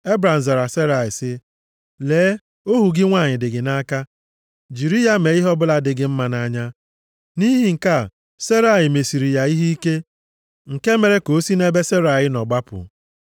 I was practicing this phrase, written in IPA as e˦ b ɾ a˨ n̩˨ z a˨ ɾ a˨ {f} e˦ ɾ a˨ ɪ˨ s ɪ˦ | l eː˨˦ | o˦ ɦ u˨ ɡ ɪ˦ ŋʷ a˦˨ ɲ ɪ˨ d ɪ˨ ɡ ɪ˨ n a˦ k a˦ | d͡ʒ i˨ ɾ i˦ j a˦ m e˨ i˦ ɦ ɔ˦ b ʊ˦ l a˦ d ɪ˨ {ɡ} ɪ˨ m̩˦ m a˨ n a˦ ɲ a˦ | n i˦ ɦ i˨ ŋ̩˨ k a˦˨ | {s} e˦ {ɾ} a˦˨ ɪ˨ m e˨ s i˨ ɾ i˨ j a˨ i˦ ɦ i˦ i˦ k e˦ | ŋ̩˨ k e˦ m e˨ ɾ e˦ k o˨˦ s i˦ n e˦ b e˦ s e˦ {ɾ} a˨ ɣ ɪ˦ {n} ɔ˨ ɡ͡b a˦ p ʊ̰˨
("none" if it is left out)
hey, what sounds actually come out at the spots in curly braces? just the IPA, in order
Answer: s, ɡ, s, ɾ, ɾ, n

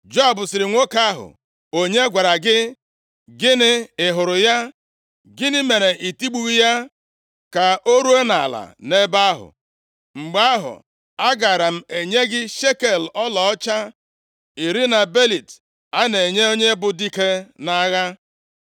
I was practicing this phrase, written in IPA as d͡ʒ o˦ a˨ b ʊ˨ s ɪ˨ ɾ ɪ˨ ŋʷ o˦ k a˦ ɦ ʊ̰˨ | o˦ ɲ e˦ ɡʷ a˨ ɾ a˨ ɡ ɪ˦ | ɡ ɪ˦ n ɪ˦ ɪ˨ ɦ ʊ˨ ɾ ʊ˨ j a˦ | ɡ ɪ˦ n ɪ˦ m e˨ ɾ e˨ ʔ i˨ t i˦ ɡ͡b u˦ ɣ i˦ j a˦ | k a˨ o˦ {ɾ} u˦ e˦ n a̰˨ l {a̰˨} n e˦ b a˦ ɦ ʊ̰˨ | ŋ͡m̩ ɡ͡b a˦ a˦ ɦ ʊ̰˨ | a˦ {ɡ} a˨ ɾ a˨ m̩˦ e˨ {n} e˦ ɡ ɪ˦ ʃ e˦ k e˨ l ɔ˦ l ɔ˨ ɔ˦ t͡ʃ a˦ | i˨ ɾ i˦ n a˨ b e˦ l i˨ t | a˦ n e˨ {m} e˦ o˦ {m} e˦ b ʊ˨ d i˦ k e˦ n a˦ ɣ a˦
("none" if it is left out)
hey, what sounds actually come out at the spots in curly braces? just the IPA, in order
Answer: ɾ, a̰˨, ɡ, ɲ, ɲ, ɲ

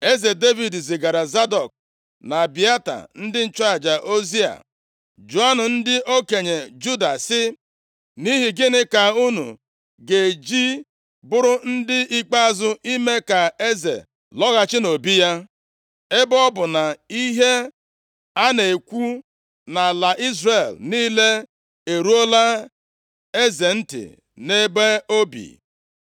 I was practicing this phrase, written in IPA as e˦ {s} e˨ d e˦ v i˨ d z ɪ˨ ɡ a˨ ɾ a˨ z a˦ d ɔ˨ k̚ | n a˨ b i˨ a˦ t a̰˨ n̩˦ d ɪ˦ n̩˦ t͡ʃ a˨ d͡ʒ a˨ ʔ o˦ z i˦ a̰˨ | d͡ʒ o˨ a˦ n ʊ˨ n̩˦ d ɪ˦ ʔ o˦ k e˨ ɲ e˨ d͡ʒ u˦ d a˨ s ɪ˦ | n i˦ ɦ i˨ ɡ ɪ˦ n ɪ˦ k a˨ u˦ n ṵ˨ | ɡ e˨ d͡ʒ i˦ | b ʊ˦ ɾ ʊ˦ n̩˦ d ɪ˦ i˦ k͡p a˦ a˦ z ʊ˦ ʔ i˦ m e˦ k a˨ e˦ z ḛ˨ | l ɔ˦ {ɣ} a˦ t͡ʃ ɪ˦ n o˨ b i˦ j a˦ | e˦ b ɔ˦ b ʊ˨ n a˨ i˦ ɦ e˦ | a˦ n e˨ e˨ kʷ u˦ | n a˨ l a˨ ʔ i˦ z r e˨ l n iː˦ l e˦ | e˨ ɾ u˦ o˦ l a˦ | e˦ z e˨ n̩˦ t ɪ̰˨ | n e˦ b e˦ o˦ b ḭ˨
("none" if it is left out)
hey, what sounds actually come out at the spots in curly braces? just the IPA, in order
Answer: z, ɣ

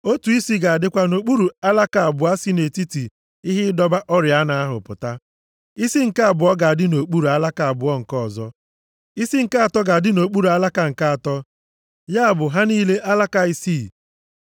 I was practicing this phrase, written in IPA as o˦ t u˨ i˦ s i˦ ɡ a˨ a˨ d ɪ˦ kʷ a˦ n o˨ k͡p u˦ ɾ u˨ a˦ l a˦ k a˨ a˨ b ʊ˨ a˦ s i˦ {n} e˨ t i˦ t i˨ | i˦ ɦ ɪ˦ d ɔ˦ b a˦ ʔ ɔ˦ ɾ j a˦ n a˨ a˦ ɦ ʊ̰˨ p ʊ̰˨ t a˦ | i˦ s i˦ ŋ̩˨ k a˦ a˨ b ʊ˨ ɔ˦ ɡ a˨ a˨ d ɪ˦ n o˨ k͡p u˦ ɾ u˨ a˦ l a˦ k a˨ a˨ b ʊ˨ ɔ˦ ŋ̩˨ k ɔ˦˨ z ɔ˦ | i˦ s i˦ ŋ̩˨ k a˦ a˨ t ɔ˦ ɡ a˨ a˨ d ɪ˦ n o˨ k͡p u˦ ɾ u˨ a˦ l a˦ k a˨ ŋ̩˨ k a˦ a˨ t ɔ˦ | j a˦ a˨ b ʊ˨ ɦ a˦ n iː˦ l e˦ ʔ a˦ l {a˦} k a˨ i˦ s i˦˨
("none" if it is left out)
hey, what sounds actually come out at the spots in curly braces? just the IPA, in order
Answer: n, a˦

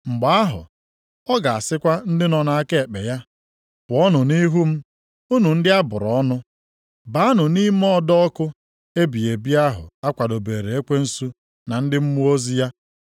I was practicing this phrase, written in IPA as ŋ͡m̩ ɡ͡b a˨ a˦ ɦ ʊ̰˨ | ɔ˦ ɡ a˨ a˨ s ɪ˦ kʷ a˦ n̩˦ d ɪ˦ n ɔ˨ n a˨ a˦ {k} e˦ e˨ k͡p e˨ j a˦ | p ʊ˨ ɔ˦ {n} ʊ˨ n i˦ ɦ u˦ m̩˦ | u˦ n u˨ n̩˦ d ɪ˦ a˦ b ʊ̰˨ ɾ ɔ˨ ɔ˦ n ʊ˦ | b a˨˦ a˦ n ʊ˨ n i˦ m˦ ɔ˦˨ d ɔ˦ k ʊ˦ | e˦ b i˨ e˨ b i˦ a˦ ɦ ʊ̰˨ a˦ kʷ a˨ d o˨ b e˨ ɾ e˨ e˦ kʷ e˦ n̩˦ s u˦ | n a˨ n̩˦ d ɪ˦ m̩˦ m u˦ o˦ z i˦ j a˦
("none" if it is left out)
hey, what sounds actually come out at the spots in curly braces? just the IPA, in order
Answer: k, n

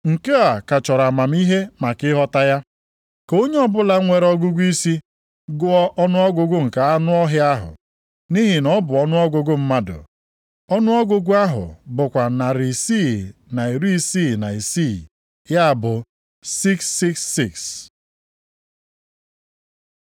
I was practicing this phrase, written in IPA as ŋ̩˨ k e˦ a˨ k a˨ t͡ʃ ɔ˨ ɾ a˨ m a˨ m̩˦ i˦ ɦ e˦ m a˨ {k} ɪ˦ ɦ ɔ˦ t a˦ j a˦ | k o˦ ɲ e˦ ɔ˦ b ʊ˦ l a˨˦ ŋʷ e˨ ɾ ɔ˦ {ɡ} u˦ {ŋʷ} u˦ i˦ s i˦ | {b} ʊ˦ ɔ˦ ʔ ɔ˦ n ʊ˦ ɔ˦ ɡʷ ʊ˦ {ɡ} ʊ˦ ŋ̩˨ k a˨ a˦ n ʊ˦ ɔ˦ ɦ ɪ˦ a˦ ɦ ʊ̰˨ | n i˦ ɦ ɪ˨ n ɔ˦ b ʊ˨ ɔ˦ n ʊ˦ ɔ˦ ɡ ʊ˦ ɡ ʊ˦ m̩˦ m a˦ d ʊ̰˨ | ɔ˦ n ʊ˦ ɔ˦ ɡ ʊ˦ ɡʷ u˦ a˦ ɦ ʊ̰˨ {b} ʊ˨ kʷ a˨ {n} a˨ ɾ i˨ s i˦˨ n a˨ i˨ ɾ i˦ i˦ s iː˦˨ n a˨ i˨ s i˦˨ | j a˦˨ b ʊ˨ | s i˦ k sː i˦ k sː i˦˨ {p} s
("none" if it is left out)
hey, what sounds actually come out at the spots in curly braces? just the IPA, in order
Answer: k, ɡ, ɡʷ, ɡ, ɡ, b, n, k

